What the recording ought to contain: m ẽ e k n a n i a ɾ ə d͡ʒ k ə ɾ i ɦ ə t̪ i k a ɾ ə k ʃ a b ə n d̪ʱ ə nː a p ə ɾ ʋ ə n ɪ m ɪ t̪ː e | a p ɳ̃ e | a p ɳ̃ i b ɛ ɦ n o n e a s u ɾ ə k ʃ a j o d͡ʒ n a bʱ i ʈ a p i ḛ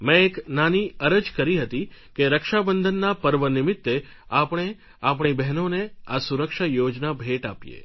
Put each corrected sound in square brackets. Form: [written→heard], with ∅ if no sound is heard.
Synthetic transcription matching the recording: m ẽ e k n a n i [a→ə] ɾ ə d͡ʒ k ə ɾ i ɦ ə t̪ i k [a→e] ɾ ə k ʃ a b ə n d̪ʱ ə nː a p ə ɾ ʋ ə n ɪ m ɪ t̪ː e | a p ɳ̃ e | a p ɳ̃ i b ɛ ɦ n o n e a s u ɾ ə k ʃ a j o d͡ʒ n a bʱ [i→e] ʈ a p [i→j] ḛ